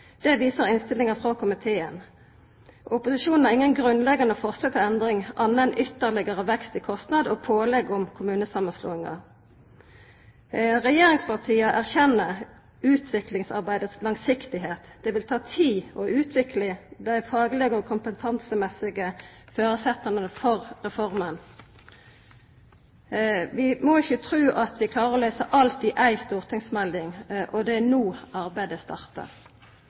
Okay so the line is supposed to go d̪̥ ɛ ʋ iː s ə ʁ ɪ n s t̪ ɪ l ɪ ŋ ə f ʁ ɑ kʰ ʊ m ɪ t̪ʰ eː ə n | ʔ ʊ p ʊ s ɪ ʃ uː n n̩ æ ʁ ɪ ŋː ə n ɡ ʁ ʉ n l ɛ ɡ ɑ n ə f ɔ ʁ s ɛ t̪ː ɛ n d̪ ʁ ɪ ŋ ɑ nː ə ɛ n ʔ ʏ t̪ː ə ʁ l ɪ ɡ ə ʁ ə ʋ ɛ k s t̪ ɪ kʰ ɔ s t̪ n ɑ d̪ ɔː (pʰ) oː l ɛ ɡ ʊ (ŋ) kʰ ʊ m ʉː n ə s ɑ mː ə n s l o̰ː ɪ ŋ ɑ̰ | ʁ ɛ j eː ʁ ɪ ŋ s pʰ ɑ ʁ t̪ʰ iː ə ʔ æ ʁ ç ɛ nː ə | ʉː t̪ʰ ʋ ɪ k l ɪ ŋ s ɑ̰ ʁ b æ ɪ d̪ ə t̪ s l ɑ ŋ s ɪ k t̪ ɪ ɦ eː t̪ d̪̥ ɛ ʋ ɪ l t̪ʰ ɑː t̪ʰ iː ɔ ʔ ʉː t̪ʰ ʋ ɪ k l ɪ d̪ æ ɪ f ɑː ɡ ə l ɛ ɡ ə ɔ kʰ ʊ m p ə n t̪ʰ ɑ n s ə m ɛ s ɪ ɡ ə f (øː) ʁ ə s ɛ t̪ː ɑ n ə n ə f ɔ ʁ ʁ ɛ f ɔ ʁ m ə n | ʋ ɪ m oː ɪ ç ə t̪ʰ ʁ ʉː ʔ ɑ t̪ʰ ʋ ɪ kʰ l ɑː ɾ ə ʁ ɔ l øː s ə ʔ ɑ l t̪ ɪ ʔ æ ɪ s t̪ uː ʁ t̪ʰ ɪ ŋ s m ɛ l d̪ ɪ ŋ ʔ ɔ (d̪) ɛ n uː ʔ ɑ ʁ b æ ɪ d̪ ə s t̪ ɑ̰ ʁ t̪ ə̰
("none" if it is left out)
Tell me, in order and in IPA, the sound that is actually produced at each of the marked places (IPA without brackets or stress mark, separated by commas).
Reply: pʰ, m, øː, d̪